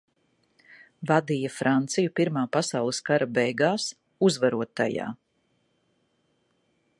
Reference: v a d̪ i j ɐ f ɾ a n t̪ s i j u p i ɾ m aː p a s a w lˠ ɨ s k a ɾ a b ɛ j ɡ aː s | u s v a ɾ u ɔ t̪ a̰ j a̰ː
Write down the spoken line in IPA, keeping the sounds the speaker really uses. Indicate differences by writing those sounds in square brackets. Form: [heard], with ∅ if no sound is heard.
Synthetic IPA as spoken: v a d̪ i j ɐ f ɾ a n t̪ s i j u p i ɾ m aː p a s a w lˠ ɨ s k a ɾ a b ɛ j ɡ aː s | u [z] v a ɾ u ɔ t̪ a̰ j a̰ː